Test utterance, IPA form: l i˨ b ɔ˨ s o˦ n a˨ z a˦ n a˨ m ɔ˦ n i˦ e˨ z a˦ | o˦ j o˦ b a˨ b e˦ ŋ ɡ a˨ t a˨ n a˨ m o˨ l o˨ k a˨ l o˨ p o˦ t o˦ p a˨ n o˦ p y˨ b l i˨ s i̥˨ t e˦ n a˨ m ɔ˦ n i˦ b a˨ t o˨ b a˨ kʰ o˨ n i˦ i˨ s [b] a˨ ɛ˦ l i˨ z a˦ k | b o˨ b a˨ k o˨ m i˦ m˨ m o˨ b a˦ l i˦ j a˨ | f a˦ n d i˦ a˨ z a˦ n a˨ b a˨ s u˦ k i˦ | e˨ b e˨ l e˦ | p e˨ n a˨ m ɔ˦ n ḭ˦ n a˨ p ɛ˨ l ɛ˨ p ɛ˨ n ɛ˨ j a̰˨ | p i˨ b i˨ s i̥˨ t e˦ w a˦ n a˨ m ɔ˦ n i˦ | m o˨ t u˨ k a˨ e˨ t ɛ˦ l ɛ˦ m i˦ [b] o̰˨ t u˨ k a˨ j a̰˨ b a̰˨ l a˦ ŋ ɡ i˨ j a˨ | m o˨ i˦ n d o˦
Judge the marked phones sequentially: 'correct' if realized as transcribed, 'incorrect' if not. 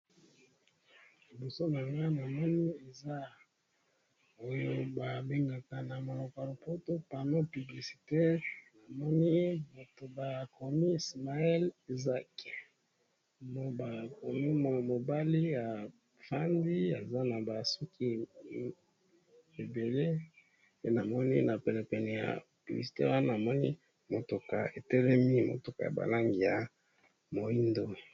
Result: incorrect, incorrect

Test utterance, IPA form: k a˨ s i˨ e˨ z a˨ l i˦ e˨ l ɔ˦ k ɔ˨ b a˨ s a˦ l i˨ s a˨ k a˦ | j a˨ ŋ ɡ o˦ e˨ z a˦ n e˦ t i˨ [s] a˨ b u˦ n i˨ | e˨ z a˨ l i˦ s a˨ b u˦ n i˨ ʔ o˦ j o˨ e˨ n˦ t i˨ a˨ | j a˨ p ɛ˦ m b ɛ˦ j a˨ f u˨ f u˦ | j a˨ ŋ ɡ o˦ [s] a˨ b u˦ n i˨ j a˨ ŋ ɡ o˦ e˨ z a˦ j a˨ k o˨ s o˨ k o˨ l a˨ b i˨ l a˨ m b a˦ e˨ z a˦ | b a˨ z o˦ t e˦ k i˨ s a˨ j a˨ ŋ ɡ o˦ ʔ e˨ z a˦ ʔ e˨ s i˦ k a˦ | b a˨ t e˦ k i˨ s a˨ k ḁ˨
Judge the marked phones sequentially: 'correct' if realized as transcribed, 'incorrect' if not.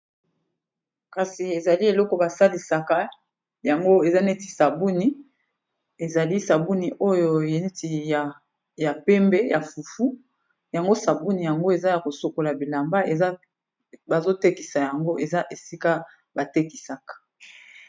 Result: correct, correct

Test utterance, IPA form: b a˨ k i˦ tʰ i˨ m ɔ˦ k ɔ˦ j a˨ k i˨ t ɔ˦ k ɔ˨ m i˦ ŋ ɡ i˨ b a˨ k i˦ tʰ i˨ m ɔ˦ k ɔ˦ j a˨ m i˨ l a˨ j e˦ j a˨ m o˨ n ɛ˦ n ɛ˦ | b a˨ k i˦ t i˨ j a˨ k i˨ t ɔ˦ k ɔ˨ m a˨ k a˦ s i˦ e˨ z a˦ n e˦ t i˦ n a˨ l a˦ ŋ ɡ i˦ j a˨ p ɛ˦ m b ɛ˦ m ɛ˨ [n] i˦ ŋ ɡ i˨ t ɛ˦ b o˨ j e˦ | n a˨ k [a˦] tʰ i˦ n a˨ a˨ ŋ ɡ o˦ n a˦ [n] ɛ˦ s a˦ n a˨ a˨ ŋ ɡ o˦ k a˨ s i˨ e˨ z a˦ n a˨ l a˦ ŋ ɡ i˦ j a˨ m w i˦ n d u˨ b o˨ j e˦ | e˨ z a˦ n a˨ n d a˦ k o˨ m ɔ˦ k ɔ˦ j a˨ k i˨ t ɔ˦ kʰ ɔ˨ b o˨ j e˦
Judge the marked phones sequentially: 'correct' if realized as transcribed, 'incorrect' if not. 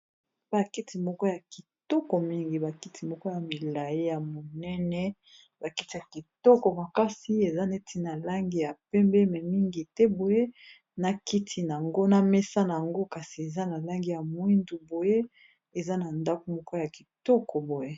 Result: incorrect, incorrect, incorrect

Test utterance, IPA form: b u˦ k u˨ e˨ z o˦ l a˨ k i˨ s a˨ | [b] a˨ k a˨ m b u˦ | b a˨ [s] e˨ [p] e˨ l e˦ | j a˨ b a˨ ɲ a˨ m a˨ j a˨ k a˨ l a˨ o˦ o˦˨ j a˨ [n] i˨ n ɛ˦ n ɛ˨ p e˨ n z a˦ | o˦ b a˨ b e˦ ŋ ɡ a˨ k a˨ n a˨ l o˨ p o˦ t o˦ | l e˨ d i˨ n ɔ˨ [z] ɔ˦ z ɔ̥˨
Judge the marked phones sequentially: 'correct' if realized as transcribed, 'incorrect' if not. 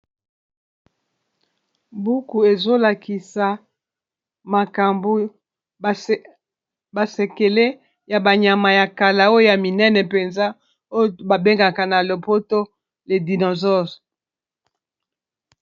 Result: incorrect, correct, incorrect, incorrect, correct

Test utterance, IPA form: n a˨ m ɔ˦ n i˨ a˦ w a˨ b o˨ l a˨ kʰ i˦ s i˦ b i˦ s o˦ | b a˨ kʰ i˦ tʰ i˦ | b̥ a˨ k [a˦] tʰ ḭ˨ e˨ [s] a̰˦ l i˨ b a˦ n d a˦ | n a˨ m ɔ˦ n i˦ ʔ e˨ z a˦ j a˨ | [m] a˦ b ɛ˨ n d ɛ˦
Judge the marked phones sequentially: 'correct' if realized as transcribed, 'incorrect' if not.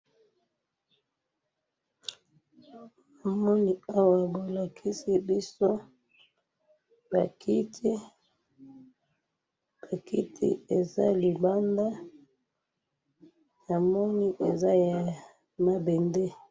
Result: incorrect, incorrect, correct

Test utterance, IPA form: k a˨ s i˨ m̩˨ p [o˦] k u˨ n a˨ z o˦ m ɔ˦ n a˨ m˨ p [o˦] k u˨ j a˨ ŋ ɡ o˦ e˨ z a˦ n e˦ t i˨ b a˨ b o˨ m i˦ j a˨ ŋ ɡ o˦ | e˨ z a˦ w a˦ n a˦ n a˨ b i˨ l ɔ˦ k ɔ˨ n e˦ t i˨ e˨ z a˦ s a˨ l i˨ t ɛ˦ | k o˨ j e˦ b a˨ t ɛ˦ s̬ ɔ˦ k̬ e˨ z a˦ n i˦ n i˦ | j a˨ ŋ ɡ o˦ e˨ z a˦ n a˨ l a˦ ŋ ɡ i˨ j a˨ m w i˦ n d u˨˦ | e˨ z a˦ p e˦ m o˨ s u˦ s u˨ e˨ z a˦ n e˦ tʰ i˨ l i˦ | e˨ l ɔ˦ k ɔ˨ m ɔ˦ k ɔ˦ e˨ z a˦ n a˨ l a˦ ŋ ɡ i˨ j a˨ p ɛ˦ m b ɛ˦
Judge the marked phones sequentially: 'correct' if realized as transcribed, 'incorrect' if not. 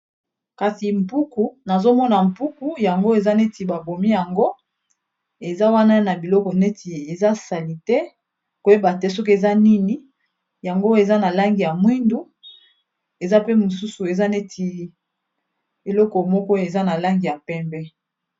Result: incorrect, incorrect

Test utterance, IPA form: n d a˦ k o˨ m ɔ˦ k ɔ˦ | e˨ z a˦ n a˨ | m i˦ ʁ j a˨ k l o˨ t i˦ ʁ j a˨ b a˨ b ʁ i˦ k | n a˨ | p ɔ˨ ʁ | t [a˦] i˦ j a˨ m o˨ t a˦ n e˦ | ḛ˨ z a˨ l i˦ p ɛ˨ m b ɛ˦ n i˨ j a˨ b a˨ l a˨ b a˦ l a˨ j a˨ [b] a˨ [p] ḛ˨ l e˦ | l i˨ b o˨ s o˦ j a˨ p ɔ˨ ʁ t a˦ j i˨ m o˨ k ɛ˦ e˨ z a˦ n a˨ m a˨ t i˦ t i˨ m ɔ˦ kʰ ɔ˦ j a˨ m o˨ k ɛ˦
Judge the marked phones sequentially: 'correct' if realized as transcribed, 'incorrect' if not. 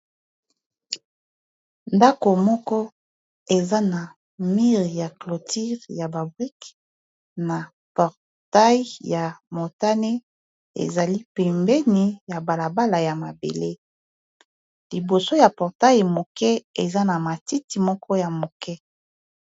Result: correct, incorrect, incorrect

